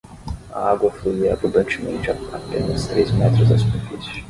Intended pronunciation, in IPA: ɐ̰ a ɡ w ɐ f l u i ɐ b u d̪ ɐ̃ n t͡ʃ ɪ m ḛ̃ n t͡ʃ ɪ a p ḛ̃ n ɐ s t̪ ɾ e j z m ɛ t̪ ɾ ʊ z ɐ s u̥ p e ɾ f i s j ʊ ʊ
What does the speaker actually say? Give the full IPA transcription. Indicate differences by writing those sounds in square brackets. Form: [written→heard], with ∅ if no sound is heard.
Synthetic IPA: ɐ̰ a ɡ w ɐ f l u i ɐ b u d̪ ɐ̃ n t͡ʃ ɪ m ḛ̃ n t͡ʃ ɪ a p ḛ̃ n ɐ s t̪ ɾ e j z m ɛ t̪ ɾ ʊ z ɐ s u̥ p e ɾ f i s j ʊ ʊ